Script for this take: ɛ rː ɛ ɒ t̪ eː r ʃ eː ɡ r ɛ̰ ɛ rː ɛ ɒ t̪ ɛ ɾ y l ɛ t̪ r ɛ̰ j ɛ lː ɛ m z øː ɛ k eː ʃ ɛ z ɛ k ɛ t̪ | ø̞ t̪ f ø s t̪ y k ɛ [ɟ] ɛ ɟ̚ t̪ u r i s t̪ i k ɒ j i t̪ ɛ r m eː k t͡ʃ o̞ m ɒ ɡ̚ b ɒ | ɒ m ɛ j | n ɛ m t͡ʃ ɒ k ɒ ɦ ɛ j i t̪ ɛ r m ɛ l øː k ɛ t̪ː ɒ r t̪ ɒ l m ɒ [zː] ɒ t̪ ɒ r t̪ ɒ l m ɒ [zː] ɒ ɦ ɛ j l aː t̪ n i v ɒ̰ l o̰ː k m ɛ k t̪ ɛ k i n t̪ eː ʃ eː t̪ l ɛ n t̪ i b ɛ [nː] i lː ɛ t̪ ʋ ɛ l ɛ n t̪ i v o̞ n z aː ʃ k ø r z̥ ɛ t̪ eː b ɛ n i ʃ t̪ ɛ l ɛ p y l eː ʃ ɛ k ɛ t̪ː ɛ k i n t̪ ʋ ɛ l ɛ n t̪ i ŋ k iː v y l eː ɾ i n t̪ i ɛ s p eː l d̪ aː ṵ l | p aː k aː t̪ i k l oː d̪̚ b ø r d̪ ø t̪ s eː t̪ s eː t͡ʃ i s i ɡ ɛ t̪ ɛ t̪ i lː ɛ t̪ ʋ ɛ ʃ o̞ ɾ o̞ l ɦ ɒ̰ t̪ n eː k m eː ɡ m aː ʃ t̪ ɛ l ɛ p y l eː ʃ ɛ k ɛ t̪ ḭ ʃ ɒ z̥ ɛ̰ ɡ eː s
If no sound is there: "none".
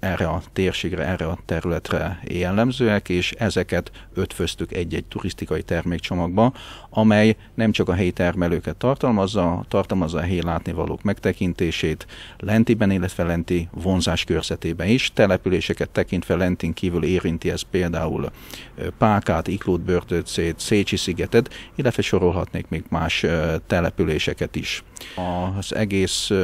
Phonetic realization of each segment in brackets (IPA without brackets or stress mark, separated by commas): ɟː, zː, zː, n